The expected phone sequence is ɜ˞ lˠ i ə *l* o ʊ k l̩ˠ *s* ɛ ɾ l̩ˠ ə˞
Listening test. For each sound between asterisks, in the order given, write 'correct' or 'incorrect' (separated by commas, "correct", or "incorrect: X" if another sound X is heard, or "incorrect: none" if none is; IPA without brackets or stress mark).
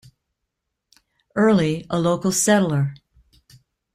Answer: correct, correct